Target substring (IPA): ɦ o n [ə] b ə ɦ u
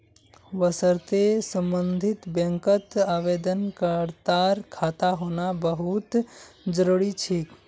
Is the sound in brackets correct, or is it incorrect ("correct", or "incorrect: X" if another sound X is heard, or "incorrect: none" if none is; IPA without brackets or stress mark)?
incorrect: a